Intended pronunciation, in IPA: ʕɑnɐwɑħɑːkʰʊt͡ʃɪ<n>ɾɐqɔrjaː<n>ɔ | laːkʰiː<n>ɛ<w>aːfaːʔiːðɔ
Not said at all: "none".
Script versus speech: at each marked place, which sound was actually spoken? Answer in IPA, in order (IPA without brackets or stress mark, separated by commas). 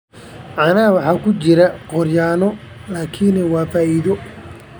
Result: none, n, n, w